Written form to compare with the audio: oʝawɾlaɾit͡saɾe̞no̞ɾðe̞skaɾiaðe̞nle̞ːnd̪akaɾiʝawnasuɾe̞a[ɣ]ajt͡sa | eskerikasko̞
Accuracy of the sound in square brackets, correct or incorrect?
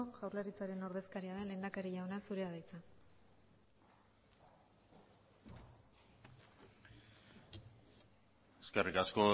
incorrect